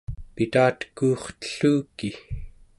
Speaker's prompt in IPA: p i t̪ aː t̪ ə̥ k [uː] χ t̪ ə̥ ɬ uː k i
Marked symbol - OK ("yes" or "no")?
yes